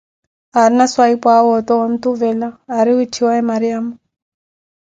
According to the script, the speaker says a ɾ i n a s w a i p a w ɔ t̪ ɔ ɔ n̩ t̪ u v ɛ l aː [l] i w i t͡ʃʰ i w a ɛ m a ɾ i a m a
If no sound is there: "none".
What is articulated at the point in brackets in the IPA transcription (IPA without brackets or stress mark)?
ɾ